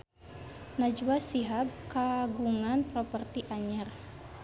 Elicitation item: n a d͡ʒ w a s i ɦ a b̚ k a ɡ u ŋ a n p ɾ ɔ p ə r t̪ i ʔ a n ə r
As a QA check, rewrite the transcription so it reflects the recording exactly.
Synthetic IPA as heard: n a d͡ʒ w a s i ɦ a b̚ k a ɡ u ŋ a n p ɾ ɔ p ə r t̪ i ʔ a ɲ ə r

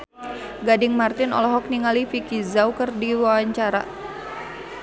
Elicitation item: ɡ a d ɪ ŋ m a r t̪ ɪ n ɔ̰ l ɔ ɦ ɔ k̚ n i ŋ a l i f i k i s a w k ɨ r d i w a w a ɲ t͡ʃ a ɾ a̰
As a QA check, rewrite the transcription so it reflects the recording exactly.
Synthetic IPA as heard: ɡ a d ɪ ŋ m a r t̪ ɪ n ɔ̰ l ɔ ɦ ɔ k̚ n i ŋ a l i f i k i z a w k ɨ r d i w a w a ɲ t͡ʃ a ɾ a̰

